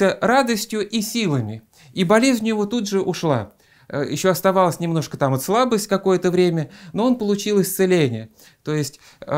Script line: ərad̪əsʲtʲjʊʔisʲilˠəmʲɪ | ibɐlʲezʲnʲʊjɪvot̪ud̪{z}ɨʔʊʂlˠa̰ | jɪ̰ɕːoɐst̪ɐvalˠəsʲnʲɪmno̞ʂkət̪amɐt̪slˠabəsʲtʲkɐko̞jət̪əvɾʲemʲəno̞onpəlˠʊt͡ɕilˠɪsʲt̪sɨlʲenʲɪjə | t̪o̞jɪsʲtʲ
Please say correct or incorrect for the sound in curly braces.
incorrect